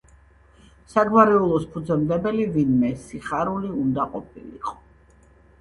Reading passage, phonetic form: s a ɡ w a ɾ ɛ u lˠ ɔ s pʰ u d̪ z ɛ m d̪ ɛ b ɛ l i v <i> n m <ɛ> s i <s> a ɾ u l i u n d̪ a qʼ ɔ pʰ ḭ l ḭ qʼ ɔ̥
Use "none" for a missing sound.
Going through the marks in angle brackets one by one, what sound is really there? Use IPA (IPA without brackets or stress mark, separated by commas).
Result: i, ɛ, χ